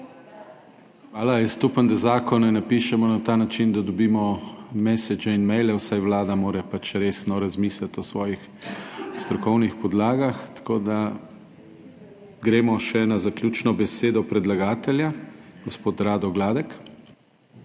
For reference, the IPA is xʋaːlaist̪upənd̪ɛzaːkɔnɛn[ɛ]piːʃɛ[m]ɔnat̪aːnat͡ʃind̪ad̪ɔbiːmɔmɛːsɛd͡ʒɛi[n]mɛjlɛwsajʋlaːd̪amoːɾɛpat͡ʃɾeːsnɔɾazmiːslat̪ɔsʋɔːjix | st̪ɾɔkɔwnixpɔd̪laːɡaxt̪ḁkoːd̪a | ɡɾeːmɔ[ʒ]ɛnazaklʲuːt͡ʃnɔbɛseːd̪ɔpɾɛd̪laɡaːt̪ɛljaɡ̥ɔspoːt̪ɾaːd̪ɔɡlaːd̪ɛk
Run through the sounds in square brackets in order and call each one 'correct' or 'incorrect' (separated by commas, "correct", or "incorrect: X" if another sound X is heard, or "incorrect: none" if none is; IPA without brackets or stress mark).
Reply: incorrect: a, correct, correct, incorrect: ʃ